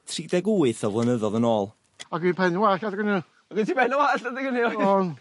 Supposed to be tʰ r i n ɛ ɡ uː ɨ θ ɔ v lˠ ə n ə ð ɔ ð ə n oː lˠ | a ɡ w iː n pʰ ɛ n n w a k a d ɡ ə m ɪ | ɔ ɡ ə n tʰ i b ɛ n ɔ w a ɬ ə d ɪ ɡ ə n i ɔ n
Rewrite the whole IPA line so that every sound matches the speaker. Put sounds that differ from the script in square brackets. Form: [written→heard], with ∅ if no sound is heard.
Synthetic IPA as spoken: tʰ r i [n→d] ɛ ɡ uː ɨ θ ɔ v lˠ ə n ə ð ɔ ð ə n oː lˠ | a ɡ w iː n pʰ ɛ n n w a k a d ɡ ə [m→n] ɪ | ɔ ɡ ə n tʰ i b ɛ n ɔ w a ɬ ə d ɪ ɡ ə n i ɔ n